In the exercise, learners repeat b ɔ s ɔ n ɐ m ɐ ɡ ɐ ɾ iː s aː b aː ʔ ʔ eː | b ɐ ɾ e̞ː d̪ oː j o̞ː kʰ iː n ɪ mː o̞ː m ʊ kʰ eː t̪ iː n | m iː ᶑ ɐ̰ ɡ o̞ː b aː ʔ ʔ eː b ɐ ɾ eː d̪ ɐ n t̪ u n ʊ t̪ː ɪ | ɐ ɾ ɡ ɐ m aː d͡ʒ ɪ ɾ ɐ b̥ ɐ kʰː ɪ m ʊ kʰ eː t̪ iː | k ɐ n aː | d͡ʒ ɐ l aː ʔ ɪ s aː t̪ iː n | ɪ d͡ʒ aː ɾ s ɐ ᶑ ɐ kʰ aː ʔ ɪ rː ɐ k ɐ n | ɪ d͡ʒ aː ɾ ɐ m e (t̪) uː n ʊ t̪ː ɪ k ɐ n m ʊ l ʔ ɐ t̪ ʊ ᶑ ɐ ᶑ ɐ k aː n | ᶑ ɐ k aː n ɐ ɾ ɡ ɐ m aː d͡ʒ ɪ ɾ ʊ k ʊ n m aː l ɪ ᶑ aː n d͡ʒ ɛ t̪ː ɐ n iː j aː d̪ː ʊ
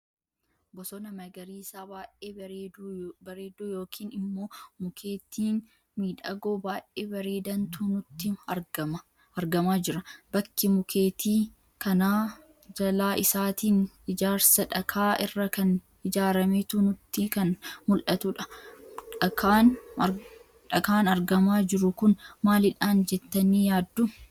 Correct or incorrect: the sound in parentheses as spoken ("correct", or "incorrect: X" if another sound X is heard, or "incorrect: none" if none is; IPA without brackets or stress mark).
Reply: correct